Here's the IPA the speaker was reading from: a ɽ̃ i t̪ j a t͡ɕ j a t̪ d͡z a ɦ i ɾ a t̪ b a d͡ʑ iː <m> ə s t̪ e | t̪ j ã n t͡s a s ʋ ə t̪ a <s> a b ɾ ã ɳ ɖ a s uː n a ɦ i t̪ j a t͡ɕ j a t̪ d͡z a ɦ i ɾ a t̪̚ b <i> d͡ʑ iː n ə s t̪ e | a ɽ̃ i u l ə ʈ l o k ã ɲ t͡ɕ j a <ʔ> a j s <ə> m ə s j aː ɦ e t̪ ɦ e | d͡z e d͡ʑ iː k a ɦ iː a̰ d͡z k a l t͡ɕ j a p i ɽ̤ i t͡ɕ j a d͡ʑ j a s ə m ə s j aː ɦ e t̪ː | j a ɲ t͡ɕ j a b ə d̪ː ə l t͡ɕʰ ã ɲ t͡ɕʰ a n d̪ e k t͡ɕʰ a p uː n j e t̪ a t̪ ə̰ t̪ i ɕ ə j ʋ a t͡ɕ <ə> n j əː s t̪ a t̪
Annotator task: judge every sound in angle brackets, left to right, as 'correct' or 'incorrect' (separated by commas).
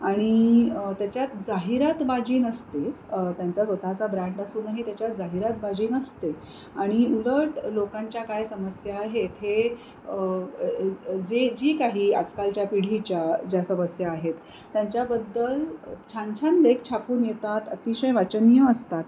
incorrect, incorrect, incorrect, incorrect, correct, correct